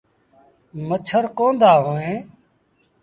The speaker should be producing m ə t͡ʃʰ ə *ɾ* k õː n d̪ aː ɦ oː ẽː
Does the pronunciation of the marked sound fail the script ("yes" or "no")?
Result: no